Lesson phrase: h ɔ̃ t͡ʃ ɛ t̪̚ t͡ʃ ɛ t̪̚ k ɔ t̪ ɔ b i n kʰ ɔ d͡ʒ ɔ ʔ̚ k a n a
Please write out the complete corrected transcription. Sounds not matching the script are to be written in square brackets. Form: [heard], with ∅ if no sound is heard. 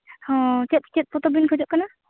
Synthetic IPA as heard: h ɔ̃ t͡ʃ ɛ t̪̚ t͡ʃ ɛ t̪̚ [p] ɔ t̪ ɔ b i n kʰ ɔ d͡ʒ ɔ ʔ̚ k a n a